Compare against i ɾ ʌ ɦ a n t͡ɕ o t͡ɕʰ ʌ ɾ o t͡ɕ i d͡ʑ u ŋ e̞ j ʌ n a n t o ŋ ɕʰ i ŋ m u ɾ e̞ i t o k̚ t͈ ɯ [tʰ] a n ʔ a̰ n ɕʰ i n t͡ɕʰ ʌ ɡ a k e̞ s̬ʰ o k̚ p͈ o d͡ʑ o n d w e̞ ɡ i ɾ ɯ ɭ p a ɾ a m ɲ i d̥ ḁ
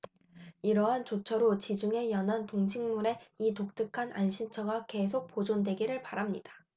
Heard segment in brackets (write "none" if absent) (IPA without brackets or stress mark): kʰ